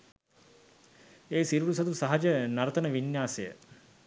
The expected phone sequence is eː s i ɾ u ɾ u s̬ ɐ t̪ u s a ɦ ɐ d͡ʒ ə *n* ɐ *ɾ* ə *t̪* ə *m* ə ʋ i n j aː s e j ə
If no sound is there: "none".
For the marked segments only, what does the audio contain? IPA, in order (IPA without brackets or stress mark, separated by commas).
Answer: n, ɾ, t̪, n